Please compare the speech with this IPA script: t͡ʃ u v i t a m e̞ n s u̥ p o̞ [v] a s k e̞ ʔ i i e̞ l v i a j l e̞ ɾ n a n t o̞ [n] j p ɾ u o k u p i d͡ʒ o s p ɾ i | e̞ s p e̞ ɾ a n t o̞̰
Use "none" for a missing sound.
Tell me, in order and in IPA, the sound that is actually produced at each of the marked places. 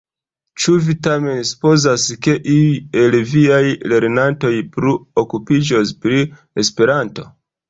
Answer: z, none

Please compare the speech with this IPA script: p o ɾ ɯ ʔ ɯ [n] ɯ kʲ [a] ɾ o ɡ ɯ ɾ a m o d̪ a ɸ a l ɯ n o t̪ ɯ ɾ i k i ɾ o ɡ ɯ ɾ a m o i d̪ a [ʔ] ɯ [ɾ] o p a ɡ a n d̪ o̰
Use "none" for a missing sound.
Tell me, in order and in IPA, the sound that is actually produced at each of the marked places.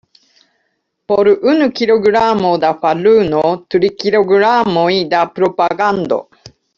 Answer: n, i, p, ɾ

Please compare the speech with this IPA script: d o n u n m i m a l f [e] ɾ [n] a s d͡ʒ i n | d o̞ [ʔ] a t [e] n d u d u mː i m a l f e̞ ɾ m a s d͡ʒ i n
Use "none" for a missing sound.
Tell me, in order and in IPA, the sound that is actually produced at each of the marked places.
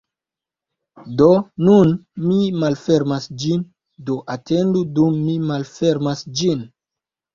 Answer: e, m, ʔ, e

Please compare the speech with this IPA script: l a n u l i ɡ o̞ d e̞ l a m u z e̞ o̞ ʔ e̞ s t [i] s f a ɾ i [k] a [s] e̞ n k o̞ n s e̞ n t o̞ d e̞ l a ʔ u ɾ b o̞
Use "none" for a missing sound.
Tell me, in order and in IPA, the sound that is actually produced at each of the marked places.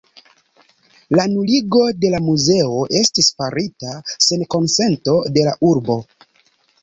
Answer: i, t, s

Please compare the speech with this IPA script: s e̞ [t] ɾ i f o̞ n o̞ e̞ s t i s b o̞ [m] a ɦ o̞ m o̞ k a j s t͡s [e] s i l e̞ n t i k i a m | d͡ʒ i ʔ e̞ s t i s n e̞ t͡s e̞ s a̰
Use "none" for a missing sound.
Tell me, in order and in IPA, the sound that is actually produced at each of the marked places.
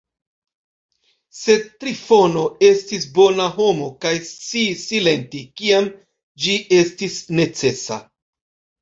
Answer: t, n, i

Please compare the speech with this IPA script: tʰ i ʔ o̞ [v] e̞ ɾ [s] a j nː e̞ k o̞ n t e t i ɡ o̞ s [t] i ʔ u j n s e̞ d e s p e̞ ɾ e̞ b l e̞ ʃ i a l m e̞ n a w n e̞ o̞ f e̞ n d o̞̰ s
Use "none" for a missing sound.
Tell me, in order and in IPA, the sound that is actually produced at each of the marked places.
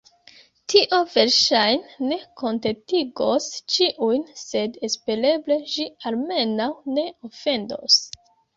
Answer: v, ʃ, t͡ʃ

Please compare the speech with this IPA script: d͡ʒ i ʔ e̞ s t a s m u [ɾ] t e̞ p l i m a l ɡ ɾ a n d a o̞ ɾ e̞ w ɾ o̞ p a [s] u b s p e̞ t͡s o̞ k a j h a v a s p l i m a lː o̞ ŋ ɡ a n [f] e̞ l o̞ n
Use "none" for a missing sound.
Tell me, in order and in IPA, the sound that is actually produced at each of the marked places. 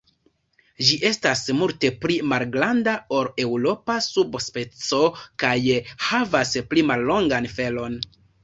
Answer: l, s, f

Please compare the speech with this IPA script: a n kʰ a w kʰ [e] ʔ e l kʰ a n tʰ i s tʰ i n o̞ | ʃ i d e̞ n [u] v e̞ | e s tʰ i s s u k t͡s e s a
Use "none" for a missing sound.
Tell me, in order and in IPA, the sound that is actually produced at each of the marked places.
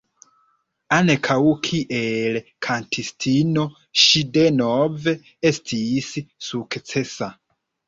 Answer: i, o

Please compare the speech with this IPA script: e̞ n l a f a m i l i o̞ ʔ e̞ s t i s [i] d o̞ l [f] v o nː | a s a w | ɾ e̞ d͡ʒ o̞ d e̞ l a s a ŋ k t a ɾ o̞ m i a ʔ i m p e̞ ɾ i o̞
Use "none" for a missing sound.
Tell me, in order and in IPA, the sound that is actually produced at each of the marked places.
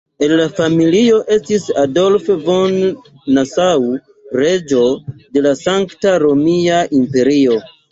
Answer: a, f

